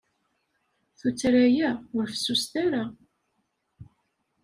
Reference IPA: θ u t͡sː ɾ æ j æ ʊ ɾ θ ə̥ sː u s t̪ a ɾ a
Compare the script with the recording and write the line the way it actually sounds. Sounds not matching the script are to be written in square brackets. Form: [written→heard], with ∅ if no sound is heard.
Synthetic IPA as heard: θ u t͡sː ɾ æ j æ ʊ ɾ [θ→f] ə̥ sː u s t̪ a ɾ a